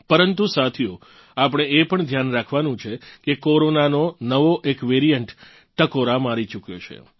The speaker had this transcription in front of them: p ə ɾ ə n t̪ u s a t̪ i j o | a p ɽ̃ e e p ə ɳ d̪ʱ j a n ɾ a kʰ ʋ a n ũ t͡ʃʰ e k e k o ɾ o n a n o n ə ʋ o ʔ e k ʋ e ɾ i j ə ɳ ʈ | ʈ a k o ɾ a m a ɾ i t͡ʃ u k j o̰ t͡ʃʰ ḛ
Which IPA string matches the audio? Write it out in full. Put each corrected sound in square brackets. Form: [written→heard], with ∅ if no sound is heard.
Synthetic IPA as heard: p ə ɾ ə n t̪ u s a [t̪→t̪ʰ] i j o | a p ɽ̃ e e p ə ɳ d̪ʱ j a n ɾ a kʰ ʋ a n ũ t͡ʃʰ e k e k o ɾ o n a n o n ə ʋ o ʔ e k ʋ e ɾ i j ə ɳ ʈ | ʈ [a→ə] k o ɾ a m a ɾ i t͡ʃ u k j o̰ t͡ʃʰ ḛ